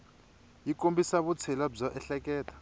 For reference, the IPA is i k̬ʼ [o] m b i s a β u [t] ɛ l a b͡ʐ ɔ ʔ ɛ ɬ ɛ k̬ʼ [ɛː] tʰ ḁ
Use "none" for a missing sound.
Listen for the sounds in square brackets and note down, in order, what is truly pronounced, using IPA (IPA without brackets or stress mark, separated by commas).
o, t͡sʰ, ɛː